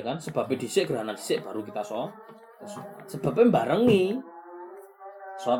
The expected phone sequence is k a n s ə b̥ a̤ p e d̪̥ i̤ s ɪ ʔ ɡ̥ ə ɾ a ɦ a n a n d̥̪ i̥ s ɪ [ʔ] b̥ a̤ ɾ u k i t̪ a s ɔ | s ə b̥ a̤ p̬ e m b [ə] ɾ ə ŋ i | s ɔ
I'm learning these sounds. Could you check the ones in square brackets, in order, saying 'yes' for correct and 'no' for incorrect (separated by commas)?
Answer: yes, no